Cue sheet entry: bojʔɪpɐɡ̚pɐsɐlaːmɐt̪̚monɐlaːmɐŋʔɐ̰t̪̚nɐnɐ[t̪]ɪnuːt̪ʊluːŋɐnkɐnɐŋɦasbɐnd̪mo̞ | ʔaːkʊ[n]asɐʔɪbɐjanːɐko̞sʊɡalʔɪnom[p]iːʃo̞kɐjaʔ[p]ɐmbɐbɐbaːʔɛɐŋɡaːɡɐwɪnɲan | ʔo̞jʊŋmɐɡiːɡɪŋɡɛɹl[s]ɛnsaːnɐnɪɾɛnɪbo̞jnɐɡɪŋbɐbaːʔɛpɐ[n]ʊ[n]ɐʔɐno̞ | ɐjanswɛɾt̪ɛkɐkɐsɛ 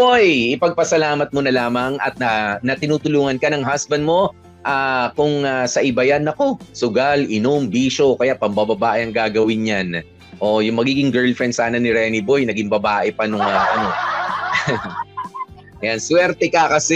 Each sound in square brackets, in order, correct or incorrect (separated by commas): correct, incorrect, incorrect, correct, incorrect, correct, incorrect